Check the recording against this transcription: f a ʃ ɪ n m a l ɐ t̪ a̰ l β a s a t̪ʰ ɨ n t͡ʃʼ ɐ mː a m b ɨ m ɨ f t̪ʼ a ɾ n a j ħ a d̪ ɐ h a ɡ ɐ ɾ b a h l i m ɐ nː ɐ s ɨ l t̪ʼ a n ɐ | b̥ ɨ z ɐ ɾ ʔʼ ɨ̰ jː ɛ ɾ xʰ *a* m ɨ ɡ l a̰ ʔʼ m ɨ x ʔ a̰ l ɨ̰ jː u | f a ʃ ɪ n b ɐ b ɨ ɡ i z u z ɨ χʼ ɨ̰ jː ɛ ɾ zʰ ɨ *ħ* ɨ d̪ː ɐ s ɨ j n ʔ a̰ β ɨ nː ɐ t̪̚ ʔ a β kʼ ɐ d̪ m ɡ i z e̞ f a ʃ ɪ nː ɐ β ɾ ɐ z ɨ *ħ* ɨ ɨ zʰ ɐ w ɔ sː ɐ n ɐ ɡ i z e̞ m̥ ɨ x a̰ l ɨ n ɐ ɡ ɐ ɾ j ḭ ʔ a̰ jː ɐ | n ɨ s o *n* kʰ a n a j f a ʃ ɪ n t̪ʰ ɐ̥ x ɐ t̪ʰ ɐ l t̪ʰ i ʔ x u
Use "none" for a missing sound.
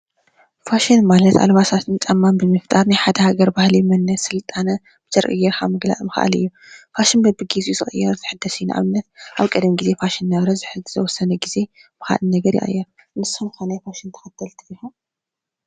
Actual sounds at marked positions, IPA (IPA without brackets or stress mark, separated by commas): a, ħ, ħ, m